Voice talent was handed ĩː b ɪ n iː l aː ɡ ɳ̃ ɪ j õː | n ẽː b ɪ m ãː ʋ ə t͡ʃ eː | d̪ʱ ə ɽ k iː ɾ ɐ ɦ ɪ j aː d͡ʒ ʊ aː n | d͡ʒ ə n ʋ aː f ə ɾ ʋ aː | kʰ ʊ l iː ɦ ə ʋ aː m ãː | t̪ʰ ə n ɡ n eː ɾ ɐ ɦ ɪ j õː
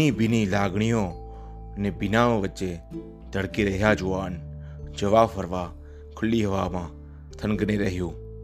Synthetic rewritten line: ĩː b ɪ n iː l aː ɡ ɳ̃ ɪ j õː | n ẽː b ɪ n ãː ʋ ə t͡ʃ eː | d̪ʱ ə ɽ k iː ɾ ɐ ɦ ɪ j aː d͡ʒ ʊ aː n | d͡ʒ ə ʋ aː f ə ɾ ʋ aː | kʰ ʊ l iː ɦ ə ʋ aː m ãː | t̪ʰ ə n ɡ n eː ɾ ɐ ɦ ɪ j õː